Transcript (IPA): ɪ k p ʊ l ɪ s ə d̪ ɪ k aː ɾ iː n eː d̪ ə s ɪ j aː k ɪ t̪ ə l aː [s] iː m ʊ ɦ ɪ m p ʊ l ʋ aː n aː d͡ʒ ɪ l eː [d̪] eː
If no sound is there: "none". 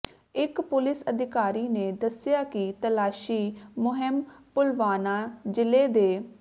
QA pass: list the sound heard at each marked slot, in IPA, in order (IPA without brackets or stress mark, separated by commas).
ʃ, d̪